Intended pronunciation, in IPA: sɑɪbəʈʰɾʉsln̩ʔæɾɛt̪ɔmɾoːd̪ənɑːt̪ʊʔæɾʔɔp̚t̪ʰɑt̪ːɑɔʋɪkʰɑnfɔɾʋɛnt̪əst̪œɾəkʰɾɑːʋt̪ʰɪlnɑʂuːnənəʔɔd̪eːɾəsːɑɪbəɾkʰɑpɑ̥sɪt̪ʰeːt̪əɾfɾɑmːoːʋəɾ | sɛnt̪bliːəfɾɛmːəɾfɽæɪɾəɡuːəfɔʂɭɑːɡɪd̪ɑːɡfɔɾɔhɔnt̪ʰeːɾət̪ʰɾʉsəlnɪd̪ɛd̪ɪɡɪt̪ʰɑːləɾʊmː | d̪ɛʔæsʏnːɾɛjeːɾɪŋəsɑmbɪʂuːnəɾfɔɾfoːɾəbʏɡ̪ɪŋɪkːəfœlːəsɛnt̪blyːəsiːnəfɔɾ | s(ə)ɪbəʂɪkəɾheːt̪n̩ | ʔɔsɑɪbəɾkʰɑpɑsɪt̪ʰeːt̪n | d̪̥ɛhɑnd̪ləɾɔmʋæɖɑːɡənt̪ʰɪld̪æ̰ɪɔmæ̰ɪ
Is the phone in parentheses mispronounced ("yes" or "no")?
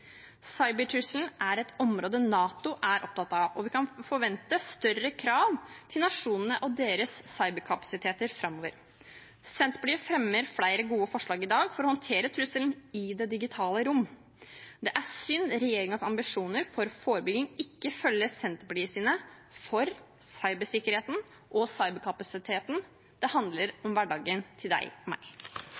yes